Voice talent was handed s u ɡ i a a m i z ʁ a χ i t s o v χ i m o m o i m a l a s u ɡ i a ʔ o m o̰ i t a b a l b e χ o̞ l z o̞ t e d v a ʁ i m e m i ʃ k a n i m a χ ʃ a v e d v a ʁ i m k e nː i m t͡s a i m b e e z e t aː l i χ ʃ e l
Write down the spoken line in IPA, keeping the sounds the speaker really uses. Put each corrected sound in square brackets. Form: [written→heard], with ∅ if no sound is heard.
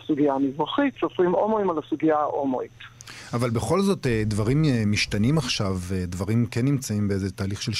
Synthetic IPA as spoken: s u ɡ i a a m i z ʁ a χ i t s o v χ i m o m o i m a l a s u ɡ i a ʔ o m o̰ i t a [b→v] a l b e χ o̞ l z o̞ t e d v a ʁ i m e m i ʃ [k→t] a n i m a χ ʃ a v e d v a ʁ i m k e nː i m t͡s a i m b e e z e t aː l i χ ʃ e l